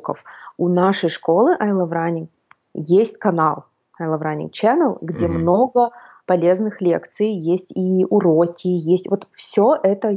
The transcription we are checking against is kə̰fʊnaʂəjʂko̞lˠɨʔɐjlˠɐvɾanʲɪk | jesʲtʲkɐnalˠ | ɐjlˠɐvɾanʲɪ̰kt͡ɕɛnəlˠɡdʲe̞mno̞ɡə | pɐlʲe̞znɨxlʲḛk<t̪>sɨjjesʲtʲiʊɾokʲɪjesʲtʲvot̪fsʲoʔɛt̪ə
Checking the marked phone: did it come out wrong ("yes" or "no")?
no